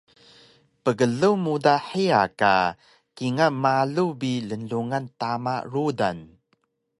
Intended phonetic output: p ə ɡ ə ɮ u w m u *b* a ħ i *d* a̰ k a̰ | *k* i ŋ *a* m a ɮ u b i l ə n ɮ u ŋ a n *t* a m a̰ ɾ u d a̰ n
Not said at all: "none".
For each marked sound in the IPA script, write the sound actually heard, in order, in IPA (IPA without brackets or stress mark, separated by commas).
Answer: d, none, k, a, t